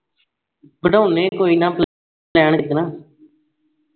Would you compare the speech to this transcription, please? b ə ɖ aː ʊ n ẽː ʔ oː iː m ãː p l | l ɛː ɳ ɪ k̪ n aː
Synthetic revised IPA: b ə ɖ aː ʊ n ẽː k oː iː n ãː p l | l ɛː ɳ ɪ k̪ n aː